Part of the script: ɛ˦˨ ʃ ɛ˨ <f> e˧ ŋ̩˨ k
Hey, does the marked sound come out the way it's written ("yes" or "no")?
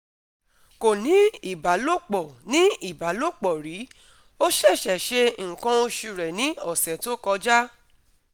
no